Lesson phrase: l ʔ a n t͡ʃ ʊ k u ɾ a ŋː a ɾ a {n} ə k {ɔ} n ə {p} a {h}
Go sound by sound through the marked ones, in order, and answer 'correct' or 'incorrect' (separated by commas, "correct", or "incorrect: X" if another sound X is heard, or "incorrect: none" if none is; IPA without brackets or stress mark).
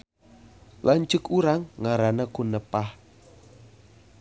correct, incorrect: u, correct, correct